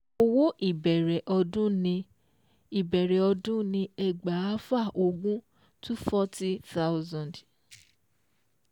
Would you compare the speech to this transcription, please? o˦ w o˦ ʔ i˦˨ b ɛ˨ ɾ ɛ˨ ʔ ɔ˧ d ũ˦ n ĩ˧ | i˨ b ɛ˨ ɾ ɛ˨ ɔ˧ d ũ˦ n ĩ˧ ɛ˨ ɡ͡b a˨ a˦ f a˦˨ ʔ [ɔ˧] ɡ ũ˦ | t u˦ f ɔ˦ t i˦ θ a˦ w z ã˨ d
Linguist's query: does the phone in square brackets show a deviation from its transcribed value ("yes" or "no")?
yes